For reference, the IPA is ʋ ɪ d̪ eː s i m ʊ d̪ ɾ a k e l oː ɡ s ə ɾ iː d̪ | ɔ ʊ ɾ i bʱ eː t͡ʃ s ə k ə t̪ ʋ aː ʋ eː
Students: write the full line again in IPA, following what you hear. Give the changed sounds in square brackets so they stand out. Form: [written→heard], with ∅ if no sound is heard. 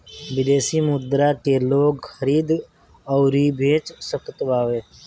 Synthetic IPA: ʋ ɪ d̪ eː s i m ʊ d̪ ɾ a k e l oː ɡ [s→x] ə ɾ iː d̪ | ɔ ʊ ɾ i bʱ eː t͡ʃ s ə k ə t̪ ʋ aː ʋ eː